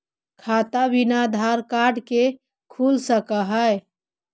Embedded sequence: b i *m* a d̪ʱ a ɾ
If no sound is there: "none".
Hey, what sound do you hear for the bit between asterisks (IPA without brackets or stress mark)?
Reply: n